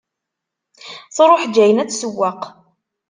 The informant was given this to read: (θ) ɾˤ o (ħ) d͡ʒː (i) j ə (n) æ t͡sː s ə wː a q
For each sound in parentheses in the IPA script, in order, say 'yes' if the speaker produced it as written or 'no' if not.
yes, yes, no, yes

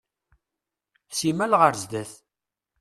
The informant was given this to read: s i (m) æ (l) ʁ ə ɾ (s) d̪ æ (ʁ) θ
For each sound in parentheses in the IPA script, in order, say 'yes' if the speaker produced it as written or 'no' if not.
yes, yes, no, no

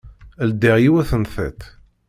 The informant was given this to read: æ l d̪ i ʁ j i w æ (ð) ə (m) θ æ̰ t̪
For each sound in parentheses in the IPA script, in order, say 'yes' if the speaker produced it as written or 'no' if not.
no, no

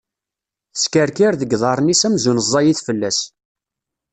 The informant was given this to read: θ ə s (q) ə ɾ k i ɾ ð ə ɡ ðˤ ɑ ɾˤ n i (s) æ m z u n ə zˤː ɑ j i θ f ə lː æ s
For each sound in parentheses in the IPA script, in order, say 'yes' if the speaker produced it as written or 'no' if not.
no, yes

